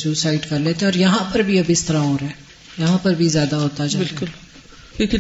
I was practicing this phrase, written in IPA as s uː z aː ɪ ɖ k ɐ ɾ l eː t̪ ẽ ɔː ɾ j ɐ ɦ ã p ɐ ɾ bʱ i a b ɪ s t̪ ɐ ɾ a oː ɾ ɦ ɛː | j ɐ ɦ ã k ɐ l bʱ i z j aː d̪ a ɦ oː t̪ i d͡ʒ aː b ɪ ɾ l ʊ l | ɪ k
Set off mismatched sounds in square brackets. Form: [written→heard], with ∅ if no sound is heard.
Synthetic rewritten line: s uː [z→s] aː ɪ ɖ k ɐ ɾ l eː t̪ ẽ ɔː ɾ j ɐ ɦ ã p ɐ ɾ bʱ i [a→ɐ] b ɪ s t̪ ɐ ɾ a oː ɾ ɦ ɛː | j ɐ ɦ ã [k→p] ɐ [l→ɾ] bʱ i z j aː d̪ a ɦ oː t̪ [i→a] d͡ʒ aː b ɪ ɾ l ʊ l | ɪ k